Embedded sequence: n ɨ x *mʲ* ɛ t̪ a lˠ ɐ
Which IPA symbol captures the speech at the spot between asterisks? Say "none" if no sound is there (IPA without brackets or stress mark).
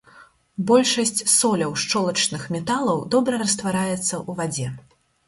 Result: mʲ